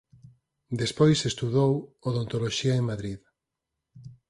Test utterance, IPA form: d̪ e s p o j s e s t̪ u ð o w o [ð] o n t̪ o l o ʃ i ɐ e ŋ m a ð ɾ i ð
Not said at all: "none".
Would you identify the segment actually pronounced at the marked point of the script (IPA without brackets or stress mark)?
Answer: ð